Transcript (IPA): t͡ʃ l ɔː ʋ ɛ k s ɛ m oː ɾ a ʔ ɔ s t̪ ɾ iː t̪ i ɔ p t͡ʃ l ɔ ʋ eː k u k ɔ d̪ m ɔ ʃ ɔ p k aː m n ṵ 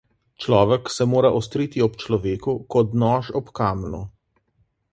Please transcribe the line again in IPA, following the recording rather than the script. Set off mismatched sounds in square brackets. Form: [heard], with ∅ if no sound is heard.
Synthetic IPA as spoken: t͡ʃ l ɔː ʋ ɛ k s ɛ m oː ɾ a ʔ ɔ s t̪ ɾ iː t̪ i ɔ p t͡ʃ l ɔ ʋ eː k u k ɔ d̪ [n] ɔ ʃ ɔ p k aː m n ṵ